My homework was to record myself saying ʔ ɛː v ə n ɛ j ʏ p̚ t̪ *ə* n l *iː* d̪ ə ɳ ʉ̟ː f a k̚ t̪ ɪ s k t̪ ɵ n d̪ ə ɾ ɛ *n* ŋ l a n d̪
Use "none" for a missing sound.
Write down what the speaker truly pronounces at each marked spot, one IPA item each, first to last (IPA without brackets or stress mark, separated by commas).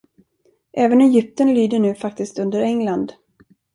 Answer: ə, yː, none